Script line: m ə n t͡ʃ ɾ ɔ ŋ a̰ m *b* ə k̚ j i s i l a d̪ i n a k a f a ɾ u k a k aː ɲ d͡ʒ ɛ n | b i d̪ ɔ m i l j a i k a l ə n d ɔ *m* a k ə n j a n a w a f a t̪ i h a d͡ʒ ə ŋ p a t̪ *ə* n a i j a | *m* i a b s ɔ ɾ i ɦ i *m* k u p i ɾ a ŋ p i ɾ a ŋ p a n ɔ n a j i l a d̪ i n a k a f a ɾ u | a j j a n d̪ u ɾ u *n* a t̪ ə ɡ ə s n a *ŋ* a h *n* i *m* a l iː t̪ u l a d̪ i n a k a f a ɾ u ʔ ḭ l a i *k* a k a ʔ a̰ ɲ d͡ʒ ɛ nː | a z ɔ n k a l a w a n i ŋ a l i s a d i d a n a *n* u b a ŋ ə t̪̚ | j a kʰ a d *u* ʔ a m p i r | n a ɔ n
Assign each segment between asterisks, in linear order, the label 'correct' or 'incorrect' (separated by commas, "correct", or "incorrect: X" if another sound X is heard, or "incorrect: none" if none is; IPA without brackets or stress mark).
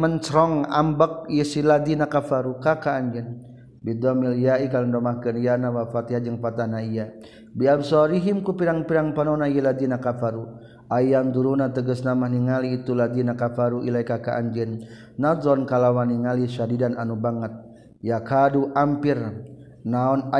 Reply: correct, correct, incorrect: a, incorrect: b, correct, correct, incorrect: m, correct, incorrect: ŋ, correct, correct, correct